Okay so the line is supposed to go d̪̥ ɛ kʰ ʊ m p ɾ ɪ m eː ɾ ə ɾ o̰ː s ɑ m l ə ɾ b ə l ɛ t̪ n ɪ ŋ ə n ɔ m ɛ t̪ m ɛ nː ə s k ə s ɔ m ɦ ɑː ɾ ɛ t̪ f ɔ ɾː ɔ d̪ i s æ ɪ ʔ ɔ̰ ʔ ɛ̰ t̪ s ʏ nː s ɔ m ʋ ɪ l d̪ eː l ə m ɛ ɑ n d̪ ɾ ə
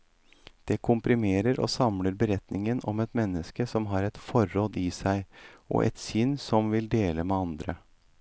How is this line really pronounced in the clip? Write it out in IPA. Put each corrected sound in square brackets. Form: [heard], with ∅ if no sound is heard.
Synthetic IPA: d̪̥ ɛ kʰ ʊ m p ɾ ɪ m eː ɾ ə ɾ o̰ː s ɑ m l ə ɾ b ə [ɾ] ɛ t̪ n ɪ ŋ ə n ɔ m ɛ t̪ m ɛ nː ə s k ə s ɔ m ɦ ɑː ɾ ɛ t̪ f ɔ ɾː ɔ d̪ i s æ ɪ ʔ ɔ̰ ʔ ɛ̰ t̪ s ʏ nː s ɔ m ʋ ɪ l d̪ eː l ə m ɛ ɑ n d̪ ɾ ə